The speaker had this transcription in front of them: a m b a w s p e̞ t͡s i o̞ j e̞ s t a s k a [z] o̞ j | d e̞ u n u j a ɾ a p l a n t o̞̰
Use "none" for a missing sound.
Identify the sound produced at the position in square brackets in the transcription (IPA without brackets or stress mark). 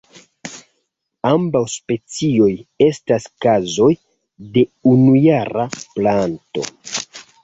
z